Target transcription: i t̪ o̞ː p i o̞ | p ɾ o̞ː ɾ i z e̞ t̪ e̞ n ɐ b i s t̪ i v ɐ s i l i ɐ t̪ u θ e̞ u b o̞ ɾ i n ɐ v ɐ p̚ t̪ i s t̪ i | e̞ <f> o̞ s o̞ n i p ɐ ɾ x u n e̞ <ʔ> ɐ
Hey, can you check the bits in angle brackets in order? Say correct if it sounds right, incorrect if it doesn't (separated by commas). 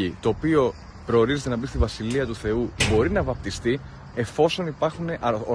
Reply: correct, correct